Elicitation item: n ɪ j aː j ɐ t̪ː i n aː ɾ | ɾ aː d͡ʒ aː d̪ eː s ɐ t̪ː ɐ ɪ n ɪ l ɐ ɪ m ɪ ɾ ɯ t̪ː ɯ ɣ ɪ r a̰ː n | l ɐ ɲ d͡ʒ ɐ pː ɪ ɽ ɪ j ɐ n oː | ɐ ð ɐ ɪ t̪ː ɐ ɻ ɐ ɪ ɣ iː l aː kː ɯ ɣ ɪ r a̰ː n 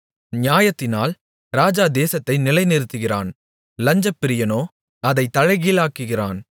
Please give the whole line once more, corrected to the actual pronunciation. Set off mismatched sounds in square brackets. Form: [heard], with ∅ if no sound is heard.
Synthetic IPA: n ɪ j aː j ɐ t̪ː [ɪ] n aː [l] | ɾ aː d͡ʒ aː d̪ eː s ɐ t̪ː ɐ ɪ n ɪ l ɐ ɪ [n] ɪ ɾ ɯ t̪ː ɯ ɣ ɪ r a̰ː n | l ɐ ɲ d͡ʒ ɐ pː ɪ [ɾ] ɪ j ɐ n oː | ɐ ð ɐ ɪ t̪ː ɐ ɻ ɐ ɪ ɣ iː l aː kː ɯ ɣ ɪ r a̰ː n

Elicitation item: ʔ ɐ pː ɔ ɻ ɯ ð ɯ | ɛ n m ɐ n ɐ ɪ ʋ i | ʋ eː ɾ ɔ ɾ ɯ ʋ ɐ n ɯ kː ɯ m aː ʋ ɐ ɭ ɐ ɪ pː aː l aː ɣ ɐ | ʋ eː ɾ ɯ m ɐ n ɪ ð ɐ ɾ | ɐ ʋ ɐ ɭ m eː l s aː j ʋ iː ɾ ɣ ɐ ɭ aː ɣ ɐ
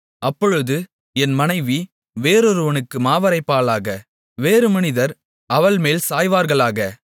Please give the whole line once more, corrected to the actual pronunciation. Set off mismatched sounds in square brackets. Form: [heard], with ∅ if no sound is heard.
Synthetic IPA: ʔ ɐ pː ɔ ɻ ɯ ð ɯ | ɛ n m ɐ n ɐ ɪ ʋ i | ʋ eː ɾ ɔ ɾ ɯ ʋ ɐ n ɯ kː ɯ m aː ʋ ɐ [ɾ] ɐ ɪ pː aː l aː ɣ ɐ | ʋ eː ɾ ɯ m ɐ n ɪ ð ɐ ɾ | ɐ ʋ ɐ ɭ m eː l s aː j ʋ [aː] ɾ ɣ ɐ ɭ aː ɣ ɐ

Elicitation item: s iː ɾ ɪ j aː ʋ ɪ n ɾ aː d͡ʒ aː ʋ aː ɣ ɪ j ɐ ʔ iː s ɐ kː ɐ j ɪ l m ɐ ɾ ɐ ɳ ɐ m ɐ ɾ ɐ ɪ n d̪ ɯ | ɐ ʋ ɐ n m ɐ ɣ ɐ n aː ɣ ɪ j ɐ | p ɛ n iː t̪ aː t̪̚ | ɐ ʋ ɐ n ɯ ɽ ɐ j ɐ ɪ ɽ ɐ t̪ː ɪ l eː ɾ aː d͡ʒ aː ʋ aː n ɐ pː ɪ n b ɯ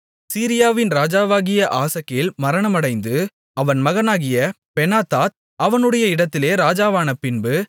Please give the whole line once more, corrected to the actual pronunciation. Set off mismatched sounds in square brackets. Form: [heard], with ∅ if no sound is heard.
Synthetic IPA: s iː ɾ ɪ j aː ʋ ɪ n ɾ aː d͡ʒ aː ʋ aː ɣ ɪ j ɐ ʔ [aː] s ɐ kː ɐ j ɪ l m ɐ ɾ ɐ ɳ ɐ m ɐ [ɽ] ɐ ɪ n d̪ ɯ | ɐ ʋ ɐ n m ɐ ɣ ɐ n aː ɣ ɪ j ɐ | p ɛ n [aː] t̪ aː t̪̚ | ɐ ʋ ɐ n ɯ ɽ ɐ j ɐ ɪ ɽ ɐ t̪ː ɪ l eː ɾ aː d͡ʒ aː ʋ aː n ɐ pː ɪ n b ɯ

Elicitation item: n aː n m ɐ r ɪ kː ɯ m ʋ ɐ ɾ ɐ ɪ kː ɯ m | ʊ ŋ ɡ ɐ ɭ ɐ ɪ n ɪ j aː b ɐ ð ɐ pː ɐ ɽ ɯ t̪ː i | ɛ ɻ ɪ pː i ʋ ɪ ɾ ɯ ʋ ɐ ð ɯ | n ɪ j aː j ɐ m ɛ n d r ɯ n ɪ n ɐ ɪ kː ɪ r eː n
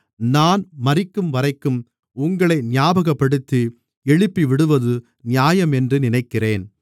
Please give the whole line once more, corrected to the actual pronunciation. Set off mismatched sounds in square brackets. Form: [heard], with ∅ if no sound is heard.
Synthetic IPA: n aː n m ɐ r ɪ kː ɯ m ʋ ɐ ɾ ɐ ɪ kː ɯ m | ʊ ŋ ɡ ɐ ɭ ɐ ɪ n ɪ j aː b ɐ [ɣ] ɐ pː ɐ ɽ ɯ t̪ː i | ɛ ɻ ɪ pː i ʋ ɪ [ɽ] ɯ ʋ ɐ ð ɯ | n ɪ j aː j ɐ m ɛ n d r ɯ n ɪ n ɐ ɪ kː ɪ r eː n

